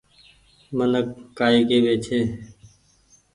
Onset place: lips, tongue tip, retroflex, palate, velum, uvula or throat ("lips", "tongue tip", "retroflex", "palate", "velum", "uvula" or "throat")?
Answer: lips